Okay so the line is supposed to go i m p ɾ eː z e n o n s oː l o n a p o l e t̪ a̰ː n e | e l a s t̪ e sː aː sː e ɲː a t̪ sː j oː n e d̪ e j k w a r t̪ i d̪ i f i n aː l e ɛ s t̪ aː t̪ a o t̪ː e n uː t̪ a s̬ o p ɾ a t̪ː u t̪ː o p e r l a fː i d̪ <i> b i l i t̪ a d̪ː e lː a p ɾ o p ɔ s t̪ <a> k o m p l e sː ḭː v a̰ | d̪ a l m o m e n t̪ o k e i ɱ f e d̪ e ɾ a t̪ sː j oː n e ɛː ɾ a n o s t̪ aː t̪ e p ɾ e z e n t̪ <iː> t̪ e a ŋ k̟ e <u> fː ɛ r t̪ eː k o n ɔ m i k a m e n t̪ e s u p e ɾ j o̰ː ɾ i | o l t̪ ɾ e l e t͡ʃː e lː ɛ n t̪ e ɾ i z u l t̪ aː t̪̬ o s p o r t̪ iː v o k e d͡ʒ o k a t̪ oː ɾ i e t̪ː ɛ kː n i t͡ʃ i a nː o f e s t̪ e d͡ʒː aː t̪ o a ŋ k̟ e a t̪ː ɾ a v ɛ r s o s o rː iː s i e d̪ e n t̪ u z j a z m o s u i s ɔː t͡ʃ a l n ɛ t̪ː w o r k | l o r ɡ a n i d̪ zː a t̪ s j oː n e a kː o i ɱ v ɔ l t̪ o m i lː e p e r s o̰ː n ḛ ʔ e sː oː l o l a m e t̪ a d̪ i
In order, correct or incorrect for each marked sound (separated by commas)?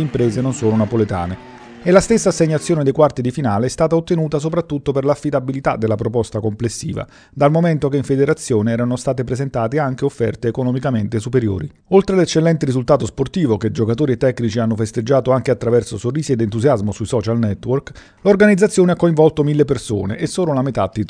incorrect, correct, incorrect, incorrect